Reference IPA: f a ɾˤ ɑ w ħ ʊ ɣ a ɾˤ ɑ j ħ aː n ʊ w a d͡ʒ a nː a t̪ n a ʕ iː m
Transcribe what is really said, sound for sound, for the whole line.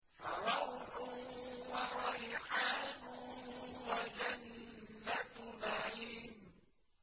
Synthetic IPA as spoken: f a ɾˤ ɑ w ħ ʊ w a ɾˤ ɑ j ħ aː n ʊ w a d͡ʒ a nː a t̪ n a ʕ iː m